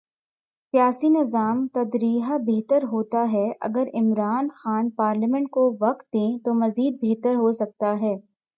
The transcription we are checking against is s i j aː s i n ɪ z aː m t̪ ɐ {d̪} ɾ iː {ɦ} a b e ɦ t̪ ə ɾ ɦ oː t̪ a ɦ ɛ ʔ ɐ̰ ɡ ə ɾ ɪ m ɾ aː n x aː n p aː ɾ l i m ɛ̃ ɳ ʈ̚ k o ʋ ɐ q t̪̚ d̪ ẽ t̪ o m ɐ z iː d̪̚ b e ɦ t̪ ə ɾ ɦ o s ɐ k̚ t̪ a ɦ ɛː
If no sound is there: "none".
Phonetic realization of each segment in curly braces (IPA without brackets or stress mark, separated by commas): d̪, ɦ